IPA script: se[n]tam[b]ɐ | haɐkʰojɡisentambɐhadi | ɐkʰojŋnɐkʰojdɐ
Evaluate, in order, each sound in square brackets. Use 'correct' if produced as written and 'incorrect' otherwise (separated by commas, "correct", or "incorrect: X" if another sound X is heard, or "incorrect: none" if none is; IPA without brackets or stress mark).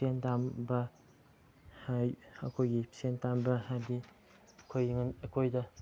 correct, correct